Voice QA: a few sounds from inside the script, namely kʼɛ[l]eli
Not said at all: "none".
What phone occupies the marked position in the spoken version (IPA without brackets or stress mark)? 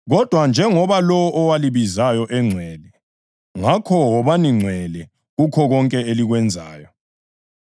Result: none